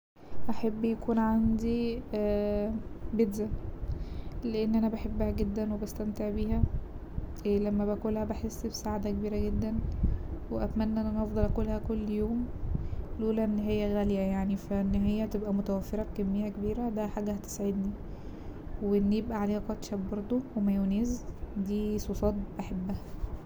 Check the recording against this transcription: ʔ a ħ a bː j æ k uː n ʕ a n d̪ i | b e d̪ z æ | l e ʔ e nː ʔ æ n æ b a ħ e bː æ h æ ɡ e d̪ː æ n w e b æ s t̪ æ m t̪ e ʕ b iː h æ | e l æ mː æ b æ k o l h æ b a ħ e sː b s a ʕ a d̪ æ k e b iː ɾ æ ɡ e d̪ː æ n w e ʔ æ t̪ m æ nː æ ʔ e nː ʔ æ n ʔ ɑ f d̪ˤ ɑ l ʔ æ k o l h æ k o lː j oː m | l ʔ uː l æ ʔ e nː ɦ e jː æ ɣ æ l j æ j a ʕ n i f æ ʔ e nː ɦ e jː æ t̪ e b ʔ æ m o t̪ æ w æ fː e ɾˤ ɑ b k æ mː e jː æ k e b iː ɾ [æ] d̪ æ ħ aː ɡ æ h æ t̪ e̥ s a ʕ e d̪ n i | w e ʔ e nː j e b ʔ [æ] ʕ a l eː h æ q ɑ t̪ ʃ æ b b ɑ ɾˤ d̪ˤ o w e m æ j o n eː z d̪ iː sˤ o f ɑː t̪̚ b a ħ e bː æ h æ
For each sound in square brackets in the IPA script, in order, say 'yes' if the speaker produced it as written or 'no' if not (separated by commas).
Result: yes, yes